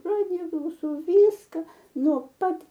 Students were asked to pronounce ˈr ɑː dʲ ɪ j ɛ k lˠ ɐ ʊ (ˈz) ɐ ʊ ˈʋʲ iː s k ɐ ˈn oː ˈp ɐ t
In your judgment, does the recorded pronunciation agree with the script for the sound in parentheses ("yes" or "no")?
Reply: no